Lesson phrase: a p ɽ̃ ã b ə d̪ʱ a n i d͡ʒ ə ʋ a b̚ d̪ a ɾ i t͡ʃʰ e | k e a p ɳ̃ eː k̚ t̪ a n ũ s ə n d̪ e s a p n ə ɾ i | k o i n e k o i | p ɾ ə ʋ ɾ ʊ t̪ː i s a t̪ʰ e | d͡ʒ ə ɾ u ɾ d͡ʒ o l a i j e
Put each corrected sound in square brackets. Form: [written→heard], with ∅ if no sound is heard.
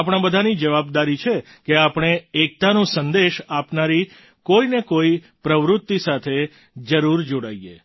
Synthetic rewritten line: a p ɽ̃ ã b ə d̪ʱ a n i d͡ʒ ə ʋ a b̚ d̪ a ɾ i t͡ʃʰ e | k e a p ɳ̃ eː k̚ t̪ a n ũ s ə n d̪ e [s→ʃ] a p n [ə→a] ɾ i | k o i n e k o i | p ɾ ə ʋ ɾ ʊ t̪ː i s a t̪ʰ e | d͡ʒ ə ɾ u ɾ d͡ʒ o [l→ɽ] a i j e